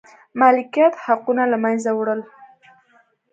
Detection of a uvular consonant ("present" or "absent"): present